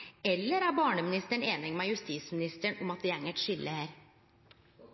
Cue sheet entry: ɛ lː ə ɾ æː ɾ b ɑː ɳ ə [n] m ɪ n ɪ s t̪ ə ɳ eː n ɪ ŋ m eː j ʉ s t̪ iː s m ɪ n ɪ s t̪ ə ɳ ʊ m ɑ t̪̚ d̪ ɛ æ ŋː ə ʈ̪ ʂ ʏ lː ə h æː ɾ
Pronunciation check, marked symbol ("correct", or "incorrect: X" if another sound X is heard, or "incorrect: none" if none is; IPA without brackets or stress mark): incorrect: none